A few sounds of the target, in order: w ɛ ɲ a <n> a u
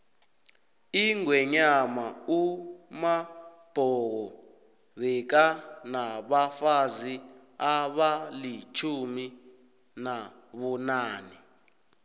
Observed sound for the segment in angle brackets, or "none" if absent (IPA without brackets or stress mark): m